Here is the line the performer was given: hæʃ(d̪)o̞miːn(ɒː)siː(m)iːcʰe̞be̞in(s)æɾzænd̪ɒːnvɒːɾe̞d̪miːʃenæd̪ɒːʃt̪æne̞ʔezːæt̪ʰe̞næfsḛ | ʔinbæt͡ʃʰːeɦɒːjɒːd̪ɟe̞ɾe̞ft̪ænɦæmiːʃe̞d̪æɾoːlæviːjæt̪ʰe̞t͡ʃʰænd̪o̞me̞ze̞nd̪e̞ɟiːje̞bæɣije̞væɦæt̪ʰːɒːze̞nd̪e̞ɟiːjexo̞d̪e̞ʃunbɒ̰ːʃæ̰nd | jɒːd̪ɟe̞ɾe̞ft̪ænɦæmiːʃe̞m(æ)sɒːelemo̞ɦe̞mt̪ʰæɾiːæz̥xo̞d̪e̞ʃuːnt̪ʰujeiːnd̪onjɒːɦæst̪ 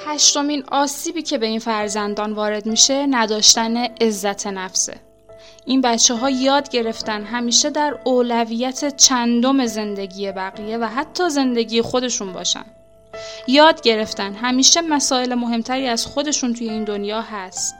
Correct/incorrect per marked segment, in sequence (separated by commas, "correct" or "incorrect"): incorrect, correct, incorrect, incorrect, correct